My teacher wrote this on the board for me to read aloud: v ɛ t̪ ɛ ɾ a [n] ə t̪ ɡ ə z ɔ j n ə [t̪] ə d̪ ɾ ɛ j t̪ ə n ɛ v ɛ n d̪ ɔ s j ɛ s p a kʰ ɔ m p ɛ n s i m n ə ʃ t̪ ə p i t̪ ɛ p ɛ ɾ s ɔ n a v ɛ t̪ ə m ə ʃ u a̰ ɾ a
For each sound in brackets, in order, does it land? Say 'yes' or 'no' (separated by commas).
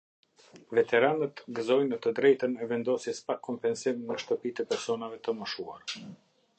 yes, yes